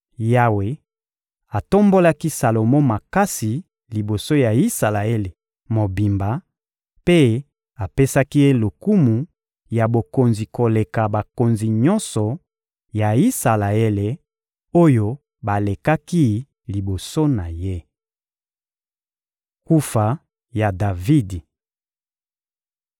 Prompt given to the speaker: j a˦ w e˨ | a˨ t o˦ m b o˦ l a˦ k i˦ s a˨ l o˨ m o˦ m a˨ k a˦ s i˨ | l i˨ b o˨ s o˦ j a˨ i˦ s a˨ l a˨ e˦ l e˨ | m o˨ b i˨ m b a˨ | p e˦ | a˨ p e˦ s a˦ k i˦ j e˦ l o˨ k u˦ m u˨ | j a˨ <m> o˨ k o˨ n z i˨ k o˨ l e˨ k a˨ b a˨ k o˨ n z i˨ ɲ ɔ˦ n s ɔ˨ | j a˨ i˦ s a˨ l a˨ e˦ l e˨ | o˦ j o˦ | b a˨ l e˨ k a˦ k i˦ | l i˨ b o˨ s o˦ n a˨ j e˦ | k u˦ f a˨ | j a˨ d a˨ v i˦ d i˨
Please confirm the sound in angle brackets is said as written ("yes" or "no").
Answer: no